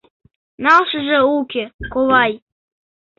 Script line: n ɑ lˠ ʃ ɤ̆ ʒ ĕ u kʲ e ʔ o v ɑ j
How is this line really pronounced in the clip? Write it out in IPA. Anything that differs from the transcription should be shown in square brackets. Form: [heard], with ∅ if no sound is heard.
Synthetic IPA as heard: n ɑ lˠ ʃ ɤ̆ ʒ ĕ u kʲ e [k] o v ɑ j